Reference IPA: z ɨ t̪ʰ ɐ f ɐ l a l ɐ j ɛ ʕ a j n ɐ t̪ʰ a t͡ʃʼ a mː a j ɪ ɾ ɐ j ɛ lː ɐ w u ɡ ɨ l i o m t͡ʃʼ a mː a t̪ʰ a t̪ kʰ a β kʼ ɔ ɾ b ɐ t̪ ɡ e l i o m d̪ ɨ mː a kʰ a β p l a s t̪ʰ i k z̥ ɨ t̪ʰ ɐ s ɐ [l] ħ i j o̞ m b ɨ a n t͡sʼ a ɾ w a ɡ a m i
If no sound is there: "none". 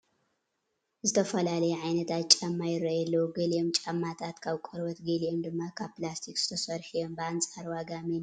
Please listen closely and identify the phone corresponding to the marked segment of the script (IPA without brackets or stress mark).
ɾ